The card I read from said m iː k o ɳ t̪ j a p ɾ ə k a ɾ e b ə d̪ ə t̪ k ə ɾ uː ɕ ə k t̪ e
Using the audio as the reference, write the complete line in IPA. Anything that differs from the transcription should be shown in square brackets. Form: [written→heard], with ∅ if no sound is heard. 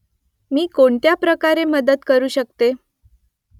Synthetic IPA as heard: m iː k o ɳ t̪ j a p ɾ ə k a ɾ e [b→m] ə d̪ ə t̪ k ə ɾ uː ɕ ə k t̪ e